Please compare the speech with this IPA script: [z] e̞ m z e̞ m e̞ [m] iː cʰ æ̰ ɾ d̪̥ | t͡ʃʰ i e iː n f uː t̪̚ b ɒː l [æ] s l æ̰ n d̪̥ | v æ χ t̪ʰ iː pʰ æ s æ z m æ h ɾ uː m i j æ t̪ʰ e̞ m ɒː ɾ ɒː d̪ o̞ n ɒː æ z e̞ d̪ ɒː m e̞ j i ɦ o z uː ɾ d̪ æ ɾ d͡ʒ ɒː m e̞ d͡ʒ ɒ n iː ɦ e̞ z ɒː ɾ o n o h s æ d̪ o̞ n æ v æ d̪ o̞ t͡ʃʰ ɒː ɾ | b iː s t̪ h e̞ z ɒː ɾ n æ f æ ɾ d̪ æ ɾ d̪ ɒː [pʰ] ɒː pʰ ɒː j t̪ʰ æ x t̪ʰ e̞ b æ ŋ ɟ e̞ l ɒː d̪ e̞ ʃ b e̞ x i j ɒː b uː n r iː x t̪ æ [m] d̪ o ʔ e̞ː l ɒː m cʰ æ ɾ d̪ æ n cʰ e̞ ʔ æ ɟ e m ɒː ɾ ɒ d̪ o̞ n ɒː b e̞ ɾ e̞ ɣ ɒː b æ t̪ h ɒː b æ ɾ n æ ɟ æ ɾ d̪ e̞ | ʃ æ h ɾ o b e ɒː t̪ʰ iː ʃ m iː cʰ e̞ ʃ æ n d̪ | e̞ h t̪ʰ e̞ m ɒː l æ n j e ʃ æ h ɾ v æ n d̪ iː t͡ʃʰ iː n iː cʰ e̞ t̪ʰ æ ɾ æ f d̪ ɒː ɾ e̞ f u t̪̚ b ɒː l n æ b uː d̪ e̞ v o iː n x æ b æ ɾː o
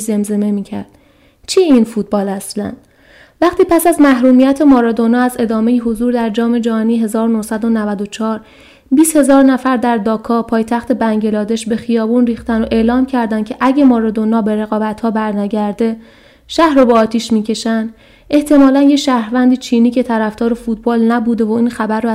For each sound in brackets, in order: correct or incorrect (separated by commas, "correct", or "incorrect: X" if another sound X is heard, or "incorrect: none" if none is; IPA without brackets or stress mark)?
correct, correct, correct, incorrect: kʰ, incorrect: n